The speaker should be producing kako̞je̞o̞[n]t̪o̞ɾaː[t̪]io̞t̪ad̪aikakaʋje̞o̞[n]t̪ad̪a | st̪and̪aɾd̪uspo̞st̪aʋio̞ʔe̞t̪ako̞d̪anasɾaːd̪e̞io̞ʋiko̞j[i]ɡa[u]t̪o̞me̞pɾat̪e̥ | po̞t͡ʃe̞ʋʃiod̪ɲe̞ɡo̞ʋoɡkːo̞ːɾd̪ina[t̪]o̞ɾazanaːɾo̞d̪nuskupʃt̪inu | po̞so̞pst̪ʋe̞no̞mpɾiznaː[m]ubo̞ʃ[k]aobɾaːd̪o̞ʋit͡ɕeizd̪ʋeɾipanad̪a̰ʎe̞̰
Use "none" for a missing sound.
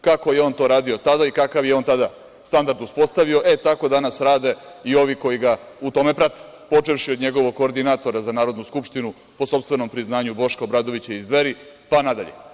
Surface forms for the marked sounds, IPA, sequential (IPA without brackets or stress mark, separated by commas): n, d̪, n, i, u, t̪, ɲ, k